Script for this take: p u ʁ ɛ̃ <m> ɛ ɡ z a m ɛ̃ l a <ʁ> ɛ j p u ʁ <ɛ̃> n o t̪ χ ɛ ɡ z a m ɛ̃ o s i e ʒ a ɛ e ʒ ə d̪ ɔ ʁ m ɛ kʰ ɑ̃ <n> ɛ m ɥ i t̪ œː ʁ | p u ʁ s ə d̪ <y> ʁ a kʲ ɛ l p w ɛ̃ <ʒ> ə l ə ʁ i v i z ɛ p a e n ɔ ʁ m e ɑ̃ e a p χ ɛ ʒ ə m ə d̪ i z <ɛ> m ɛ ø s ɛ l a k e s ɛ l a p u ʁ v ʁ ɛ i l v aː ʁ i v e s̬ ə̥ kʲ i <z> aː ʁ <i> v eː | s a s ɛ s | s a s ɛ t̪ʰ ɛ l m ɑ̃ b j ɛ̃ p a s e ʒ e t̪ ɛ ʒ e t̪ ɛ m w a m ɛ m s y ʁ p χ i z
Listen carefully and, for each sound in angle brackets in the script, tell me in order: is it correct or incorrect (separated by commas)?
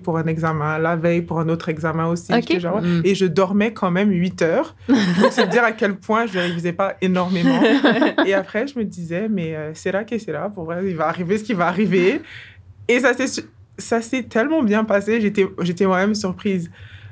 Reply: incorrect, incorrect, correct, incorrect, incorrect, correct, correct, incorrect, correct